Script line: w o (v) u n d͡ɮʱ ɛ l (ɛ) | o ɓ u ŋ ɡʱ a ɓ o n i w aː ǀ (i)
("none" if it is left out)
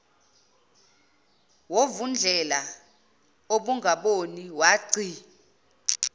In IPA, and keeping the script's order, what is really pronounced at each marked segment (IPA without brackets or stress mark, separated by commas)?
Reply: v, a, i